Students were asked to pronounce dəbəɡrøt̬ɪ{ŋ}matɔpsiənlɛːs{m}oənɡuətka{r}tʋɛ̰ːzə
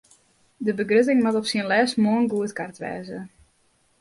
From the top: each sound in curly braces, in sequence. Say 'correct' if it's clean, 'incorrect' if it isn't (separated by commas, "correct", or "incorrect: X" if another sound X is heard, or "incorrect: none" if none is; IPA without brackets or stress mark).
correct, correct, correct